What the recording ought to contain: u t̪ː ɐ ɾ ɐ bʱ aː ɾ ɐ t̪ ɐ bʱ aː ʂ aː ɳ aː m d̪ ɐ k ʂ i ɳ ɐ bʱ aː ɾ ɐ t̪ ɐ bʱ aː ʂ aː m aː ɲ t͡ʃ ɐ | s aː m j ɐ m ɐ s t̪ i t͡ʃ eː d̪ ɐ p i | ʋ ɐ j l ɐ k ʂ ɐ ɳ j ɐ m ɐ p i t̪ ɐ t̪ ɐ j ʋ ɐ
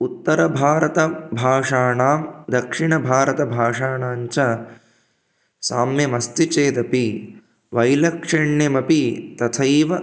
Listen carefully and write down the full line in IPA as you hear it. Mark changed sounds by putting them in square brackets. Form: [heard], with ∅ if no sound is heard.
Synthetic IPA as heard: u t̪ː ɐ ɾ ɐ bʱ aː ɾ ɐ t̪ ɐ bʱ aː ʂ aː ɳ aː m d̪ ɐ k ʂ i ɳ ɐ bʱ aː ɾ ɐ t̪ ɐ bʱ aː ʂ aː [ɳ] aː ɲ t͡ʃ ɐ | s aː m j ɐ m ɐ s t̪ i t͡ʃ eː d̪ ɐ p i | ʋ ɐ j l ɐ k ʂ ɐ ɳ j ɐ m ɐ p i t̪ ɐ [t̪ʰ] ɐ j ʋ ɐ